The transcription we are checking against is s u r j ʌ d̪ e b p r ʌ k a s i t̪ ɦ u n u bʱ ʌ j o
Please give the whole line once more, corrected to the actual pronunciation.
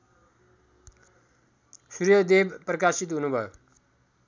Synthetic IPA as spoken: s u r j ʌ d̪ e b p r ʌ k a s i t̪ ɦ u n u bʱ ʌ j o